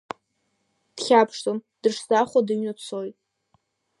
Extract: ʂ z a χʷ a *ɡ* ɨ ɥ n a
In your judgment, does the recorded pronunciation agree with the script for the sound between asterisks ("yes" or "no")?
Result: no